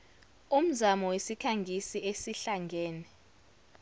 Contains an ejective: no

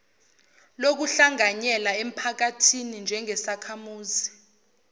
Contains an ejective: no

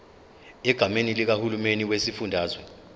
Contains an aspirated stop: no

